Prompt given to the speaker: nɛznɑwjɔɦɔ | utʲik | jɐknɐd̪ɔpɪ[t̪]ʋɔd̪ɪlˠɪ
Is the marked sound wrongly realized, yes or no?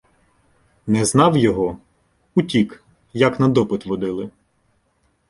no